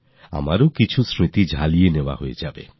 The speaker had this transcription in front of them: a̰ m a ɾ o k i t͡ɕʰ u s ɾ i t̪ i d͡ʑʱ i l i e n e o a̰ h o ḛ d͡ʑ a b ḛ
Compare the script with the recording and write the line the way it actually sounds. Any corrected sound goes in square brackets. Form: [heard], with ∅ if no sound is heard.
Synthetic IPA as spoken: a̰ m a ɾ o k i t͡ɕʰ u s ɾ i t̪ i d͡ʑʱ [a] l i e n e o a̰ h o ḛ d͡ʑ a b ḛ